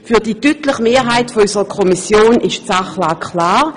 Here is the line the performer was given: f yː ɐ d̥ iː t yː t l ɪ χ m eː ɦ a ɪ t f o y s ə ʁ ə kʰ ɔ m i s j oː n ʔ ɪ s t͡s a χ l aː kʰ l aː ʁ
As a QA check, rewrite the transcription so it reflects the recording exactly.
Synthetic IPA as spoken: f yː ɐ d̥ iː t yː t l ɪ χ m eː ɦ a ɪ t f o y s ə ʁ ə kʰ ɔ m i s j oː n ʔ ɪ ʃ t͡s a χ l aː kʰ l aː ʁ